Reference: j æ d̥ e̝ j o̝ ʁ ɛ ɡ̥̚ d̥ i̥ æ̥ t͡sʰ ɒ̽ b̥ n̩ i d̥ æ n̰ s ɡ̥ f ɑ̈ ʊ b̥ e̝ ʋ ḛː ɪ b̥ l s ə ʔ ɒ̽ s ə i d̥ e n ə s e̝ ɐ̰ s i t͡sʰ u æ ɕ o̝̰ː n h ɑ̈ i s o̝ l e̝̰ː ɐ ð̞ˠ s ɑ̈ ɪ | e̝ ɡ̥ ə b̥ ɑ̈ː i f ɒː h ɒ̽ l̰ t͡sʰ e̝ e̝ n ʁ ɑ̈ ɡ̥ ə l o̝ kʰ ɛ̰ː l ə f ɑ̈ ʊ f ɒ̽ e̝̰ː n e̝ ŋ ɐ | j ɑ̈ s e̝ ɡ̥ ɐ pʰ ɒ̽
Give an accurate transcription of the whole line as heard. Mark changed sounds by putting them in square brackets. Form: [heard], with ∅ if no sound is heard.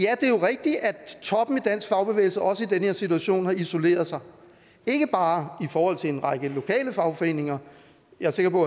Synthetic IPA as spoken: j æ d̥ e̝ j o̝ ʁ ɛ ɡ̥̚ d̥ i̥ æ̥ t͡sʰ ɒ̽ b̥ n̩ i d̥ æ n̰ s ɡ̥ f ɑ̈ ʊ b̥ e̝ ʋ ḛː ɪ [∅] l s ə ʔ ɒ̽ s ə i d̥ e n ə [h] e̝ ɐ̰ s i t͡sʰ u æ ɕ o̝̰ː n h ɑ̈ i s o̝ l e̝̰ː ɐ ð̞ˠ s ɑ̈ ɪ | e̝ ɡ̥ ə b̥ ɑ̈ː i f ɒː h ɒ̽ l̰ t͡sʰ e̝ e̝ n ʁ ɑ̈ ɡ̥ ə l o̝ kʰ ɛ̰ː l ə f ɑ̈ ʊ f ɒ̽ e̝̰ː n e̝ ŋ ɐ | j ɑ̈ s e̝ ɡ̥ ɐ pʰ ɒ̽

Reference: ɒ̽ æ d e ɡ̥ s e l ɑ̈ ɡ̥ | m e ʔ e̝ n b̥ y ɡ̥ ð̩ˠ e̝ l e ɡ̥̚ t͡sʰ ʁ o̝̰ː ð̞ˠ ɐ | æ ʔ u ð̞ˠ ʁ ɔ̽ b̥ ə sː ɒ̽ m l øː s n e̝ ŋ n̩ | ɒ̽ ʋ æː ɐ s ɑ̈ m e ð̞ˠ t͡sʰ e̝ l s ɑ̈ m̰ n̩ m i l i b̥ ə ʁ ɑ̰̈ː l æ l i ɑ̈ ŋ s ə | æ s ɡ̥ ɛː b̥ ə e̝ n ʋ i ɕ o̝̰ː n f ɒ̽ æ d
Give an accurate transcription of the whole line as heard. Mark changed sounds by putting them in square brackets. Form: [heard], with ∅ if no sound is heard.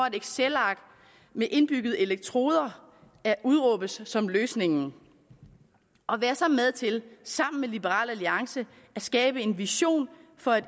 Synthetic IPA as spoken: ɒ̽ æ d e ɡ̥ s e l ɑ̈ ɡ̥ | m e ʔ e̝ n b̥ y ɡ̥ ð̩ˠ e̝ l e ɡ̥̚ t͡sʰ ʁ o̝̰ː ð̞ˠ ɐ | æ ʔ u ð̞ˠ ʁ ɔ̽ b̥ ə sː ɒ̽ m l øː s n e̝ ŋ n̩ | ɒ̽ ʋ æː ɐ s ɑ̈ m e ð̞ˠ t͡sʰ e̝ l s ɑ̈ m̰ n̩ m [e] l i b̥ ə ʁ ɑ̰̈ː l æ l i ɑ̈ ŋ s ə | æ s ɡ̥ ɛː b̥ ə e̝ n ʋ i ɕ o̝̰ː n f ɒ̽ æ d

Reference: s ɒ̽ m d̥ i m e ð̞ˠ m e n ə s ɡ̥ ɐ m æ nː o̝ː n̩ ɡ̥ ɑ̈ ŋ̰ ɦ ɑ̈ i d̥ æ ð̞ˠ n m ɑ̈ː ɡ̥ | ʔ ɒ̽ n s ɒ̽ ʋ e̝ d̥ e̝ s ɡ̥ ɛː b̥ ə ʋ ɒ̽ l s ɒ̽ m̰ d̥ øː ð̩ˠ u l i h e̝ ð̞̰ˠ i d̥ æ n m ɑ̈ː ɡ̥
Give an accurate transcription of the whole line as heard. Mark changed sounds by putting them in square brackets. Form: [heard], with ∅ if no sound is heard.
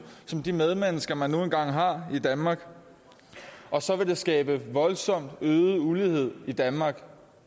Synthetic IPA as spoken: s ɒ̽ m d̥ i m e ð̞ˠ m e n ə s ɡ̥ ɐ m æ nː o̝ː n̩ ɡ̥ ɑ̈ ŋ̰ ɦ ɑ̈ i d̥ æ [∅] n m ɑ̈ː ɡ̥ | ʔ ɒ̽ [∅] s ɒ̽ ʋ e̝ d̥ e̝ s ɡ̥ ɛː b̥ ə ʋ ɒ̽ l s ɒ̽ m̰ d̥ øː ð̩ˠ u l i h e̝ ð̞̰ˠ i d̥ æ n m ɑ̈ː ɡ̥

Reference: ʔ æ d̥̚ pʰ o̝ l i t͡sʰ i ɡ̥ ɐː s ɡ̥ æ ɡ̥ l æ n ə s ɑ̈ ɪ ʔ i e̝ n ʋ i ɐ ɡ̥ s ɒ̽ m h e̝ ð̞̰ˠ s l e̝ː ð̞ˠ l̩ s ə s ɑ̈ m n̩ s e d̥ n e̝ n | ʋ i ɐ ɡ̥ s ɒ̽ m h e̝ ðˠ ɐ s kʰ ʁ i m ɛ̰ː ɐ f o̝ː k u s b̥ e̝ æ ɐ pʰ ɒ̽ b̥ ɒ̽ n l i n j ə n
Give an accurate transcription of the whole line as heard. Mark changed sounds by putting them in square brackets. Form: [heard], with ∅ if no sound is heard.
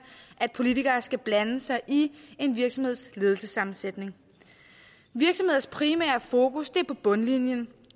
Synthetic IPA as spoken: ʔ æ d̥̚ pʰ o̝ l i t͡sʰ i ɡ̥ ɐː s ɡ̥ æ [b̥] l æ n ə s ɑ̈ ɪ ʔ i e̝ n ʋ i ɐ ɡ̥ s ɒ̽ m h e̝ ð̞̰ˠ s l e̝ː ð̞ˠ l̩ s ə s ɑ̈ m n̩ s e d̥ n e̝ [ŋ] | ʋ i ɐ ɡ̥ s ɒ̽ m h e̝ ðˠ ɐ s [pʰ] ʁ i m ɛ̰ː ɐ f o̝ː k u s [d̥] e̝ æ ɐ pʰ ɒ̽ b̥ [ɔ̽] n l i n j ə n

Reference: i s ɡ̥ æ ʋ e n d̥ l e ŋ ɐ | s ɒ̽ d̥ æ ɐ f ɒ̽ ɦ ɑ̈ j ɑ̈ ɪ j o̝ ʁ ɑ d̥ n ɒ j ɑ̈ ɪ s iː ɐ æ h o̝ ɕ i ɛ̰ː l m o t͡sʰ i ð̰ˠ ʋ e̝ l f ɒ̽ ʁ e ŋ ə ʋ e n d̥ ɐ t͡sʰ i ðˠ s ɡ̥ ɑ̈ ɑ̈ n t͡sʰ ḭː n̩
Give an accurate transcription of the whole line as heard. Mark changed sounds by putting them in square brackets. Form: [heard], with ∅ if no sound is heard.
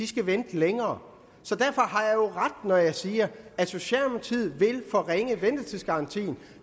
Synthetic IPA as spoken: i s ɡ̥ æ ʋ e n d̥ l e ŋ [ɐː] | s ɒ̽ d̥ æ ɐ f ɒ̽ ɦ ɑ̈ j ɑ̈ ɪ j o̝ ʁ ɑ d̥ n ɒ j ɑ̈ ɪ s iː ɐ æ [s] o̝ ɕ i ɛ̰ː l m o t͡sʰ i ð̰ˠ ʋ e̝ l f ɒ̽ ʁ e ŋ ə ʋ e n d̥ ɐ t͡sʰ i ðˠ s ɡ̥ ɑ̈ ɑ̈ n t͡sʰ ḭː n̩

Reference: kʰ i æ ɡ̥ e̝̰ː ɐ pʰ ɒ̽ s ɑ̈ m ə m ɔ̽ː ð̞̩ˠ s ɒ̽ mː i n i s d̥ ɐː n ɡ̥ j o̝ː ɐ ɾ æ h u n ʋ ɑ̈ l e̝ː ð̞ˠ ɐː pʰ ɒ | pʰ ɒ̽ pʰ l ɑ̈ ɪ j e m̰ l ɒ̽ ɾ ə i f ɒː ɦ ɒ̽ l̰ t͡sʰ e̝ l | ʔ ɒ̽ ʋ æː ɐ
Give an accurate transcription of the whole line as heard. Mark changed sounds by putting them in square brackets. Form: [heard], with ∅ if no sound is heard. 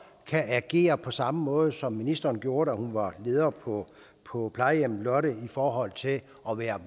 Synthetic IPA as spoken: kʰ [æ] æ ɡ̥ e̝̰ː ɐ pʰ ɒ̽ s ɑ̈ m ə m ɔ̽ː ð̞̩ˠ s ɒ̽ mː i n i s d̥ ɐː n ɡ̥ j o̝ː ɐ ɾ æ h u n ʋ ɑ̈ l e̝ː ð̞ˠ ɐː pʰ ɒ | pʰ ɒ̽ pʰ l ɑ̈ ɪ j e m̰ l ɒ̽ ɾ ə i f ɒː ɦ ɒ̽ l̰ t͡sʰ e̝ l | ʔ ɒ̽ ʋ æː ɐ

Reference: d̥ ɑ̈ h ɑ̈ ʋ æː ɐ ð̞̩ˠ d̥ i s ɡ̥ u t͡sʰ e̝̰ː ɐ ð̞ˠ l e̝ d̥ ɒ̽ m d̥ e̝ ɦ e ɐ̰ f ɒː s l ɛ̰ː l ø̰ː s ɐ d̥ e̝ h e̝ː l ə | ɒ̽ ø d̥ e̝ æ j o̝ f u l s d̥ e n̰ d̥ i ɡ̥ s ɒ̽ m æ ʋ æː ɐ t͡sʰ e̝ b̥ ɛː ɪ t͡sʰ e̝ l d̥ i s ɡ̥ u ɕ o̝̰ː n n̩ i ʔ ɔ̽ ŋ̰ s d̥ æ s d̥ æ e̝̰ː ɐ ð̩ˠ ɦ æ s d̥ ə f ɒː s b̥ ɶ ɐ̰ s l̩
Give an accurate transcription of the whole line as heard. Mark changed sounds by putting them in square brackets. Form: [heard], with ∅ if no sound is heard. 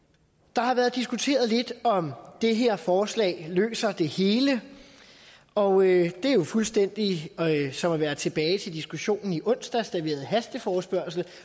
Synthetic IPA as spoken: d̥ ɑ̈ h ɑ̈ ʋ æː ɐ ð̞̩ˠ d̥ i s ɡ̥ u t͡sʰ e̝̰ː ɐ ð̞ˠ l e̝ d̥ ɒ̽ m d̥ e̝ ɦ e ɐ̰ f ɒː s l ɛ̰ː l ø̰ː s ɐ d̥ e̝ h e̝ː l ə | ɒ̽ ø d̥ e̝ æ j o̝ f u l s d̥ e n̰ d̥ i [∅] s ɒ̽ m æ ʋ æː ɐ t͡sʰ e̝ b̥ ɛː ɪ t͡sʰ e̝ l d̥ i s ɡ̥ u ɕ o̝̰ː n n̩ i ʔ ɔ̽ [n̰] s d̥ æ s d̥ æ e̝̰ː ɐ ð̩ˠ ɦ æ s d̥ ə f ɒː s b̥ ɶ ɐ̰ s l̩

